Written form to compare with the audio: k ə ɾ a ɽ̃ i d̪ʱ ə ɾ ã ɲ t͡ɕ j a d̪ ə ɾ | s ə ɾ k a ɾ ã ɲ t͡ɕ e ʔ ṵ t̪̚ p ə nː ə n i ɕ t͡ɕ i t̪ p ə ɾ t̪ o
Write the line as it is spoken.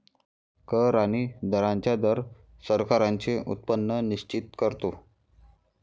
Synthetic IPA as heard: k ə ɾ a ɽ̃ i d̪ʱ ə ɾ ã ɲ t͡ɕ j a d̪ ə ɾ | s ə ɾ k a ɾ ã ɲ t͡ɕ e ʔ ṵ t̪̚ p ə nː ə n i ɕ t͡ɕ i t̪ k ə ɾ t̪ o